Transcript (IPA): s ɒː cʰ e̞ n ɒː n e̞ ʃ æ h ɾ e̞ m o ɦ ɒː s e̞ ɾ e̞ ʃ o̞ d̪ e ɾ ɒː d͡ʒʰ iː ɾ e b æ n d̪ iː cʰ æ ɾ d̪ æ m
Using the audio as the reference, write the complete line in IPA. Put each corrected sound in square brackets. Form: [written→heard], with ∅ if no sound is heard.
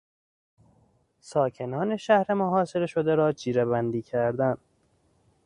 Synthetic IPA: s ɒː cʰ e̞ n ɒː n e̞ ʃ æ h ɾ e̞ m o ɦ ɒː s e̞ ɾ e̞ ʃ o̞ d̪ e ɾ ɒː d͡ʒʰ iː ɾ e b æ n d̪ iː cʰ æ ɾ d̪ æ [m→n]